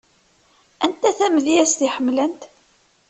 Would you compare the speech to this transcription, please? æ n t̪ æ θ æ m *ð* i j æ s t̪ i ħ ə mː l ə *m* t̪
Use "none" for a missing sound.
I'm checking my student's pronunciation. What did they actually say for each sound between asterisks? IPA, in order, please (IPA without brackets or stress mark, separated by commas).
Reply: ð, n